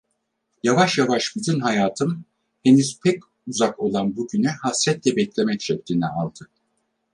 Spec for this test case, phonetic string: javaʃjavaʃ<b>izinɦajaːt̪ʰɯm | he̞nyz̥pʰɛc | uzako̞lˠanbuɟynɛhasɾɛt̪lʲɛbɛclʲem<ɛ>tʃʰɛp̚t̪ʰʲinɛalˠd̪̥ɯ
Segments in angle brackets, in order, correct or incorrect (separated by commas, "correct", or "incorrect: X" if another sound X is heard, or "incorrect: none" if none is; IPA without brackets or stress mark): correct, correct